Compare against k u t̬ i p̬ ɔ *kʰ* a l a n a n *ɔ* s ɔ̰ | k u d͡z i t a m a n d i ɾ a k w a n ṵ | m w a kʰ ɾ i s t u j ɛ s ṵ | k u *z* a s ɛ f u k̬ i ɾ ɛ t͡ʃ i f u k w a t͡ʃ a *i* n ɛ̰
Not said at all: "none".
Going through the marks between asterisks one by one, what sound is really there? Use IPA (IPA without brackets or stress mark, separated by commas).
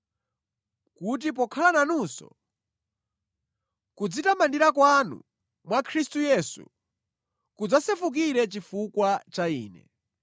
kʰ, u, d͡z, iː